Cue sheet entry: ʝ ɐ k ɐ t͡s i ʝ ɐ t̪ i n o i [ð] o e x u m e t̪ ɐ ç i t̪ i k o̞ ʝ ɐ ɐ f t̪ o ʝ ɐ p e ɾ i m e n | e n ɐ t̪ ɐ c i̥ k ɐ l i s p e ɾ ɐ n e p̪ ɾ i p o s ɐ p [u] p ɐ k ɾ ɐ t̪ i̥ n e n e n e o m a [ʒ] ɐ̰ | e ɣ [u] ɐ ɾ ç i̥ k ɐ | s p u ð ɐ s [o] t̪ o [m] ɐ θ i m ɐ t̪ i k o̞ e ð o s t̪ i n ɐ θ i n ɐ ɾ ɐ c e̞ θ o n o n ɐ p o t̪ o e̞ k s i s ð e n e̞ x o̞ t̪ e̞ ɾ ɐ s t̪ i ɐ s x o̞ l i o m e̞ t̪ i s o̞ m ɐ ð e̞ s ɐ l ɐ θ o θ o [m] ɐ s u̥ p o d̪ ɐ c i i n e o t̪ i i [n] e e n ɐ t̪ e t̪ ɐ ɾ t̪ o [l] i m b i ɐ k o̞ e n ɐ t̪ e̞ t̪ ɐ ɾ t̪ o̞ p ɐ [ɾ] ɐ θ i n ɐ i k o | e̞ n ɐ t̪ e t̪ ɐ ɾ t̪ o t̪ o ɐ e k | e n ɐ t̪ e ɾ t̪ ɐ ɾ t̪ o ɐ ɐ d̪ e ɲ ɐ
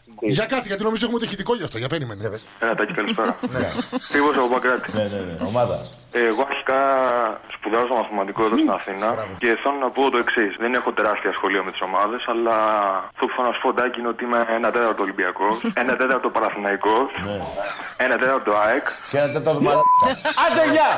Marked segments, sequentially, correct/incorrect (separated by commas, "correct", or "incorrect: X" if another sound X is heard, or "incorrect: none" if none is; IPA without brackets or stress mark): incorrect: z, incorrect: o, incorrect: ð, incorrect: o, correct, correct, incorrect: n, incorrect: m, correct, correct